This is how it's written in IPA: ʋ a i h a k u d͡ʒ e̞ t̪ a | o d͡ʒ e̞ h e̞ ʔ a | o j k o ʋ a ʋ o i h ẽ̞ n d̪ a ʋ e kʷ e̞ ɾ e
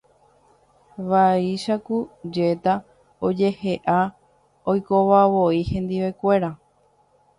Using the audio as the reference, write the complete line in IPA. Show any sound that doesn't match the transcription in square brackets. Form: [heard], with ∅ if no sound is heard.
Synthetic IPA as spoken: ʋ a i [ʃ] a k u d͡ʒ e̞ t̪ a | o d͡ʒ e̞ h e̞ ʔ a | o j k o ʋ a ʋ o i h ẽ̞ n d̪ [i] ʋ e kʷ e̞ ɾ [a]